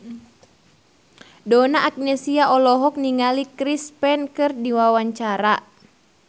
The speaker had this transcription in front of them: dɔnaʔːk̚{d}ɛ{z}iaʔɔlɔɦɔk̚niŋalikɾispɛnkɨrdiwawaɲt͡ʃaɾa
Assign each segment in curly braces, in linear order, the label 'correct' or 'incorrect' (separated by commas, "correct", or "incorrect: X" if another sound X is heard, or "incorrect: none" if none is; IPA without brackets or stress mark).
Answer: incorrect: n, incorrect: s